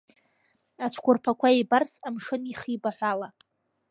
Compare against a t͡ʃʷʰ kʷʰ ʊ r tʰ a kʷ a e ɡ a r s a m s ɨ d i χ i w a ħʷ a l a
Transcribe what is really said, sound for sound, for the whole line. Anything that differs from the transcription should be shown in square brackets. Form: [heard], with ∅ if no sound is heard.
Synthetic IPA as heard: a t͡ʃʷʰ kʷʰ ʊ r [pʰ] a kʷ a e [b] a r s a m [ʂ] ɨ [n] i χ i [b] a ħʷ a l a